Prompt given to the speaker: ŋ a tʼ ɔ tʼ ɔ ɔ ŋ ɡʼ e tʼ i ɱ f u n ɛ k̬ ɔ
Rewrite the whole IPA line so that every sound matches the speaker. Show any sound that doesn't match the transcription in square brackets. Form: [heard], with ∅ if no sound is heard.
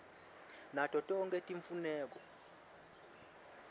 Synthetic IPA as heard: [n] a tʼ ɔ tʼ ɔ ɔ ŋ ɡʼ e tʼ i ɱ f u n [ɛː] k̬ ɔ